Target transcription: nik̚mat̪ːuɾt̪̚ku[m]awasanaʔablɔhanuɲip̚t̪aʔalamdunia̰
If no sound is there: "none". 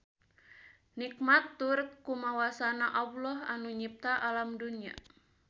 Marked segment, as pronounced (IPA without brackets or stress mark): m